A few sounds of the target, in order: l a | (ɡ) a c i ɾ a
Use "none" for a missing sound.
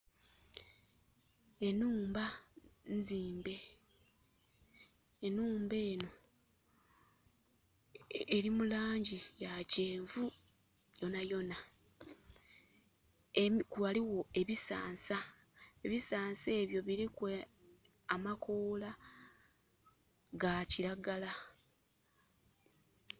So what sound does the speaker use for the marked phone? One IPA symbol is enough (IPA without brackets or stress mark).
ɡ